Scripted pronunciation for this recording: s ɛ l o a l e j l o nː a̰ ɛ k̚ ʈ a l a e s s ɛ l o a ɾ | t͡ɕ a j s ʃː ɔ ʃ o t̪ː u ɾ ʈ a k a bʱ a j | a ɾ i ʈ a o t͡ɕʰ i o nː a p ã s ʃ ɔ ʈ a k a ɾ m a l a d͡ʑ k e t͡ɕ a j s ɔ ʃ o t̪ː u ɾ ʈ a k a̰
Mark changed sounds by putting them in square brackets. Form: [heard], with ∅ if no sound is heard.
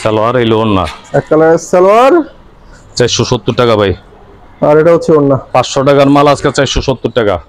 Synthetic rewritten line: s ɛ l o a [ɾ] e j l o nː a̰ ɛ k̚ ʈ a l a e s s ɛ l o a ɾ | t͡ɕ a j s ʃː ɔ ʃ o t̪ː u ɾ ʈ a k a bʱ a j | a ɾ [e] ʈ a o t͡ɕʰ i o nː a p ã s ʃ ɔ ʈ a k a ɾ m a l a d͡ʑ k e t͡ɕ a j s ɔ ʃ o t̪ː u ɾ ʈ a k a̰